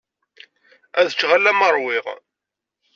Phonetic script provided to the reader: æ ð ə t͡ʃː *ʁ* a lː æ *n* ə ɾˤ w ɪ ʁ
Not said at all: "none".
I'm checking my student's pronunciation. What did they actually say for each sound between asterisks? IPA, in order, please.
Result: ʁ, m

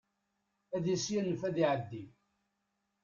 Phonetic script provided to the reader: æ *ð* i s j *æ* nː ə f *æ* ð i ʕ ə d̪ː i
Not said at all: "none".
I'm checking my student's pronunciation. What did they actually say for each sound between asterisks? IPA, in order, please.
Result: ð, æ, æ

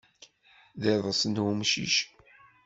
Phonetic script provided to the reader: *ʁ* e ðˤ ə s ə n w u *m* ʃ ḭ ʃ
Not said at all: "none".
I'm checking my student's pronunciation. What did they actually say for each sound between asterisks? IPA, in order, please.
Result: ð, m

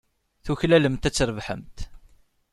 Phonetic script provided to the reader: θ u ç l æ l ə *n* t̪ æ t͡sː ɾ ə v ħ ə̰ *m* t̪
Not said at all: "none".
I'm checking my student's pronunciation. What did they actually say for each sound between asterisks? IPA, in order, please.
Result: m, m

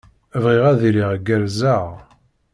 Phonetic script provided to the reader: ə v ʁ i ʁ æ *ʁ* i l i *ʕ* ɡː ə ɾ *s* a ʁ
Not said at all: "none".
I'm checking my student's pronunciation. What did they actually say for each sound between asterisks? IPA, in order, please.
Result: ð, ʁ, z

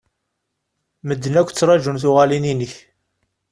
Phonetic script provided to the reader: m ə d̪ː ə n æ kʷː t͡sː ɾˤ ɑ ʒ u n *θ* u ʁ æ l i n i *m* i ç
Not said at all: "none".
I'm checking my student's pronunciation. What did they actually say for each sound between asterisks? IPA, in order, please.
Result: θ, n

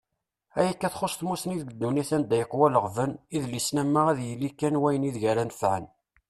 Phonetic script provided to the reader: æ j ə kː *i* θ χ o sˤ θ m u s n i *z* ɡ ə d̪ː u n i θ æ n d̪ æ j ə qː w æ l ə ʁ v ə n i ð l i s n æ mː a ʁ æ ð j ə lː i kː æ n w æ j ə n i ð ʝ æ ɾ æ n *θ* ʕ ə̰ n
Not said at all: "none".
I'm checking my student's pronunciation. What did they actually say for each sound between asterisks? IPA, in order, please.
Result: æ, ð, f

